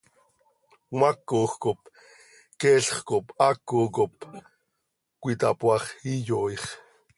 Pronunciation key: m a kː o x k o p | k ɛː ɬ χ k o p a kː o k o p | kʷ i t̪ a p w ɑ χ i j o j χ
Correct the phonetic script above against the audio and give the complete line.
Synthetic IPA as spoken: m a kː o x k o p | k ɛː ɬ χ k o p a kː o k o p | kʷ i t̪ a p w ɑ χ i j o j χ